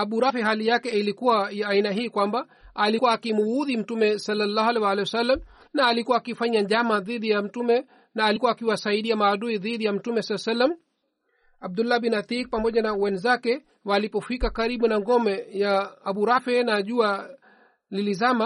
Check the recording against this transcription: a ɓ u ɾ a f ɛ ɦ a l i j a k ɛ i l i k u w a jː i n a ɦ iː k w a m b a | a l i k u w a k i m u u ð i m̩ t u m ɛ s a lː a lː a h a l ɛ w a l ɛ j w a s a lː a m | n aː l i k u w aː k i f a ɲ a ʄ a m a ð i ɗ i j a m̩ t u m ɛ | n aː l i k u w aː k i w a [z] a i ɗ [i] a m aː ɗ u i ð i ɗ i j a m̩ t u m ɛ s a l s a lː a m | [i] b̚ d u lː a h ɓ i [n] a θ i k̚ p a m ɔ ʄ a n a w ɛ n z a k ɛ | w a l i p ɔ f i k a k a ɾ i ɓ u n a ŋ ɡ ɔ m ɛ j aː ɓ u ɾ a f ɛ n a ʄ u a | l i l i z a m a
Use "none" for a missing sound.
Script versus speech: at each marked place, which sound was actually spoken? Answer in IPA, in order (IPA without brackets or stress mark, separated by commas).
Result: s, i, a, n